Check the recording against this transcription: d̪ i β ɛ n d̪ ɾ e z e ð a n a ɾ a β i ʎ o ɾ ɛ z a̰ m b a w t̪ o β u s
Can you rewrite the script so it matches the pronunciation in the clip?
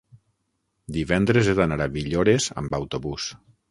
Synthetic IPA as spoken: d̪ i β ɛ n d̪ ɾ e z e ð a n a ɾ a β i ʎ o ɾ e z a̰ m b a w t̪ o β u s